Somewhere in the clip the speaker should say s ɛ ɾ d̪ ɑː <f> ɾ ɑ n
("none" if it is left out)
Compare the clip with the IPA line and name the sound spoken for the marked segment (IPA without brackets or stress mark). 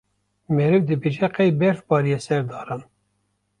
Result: none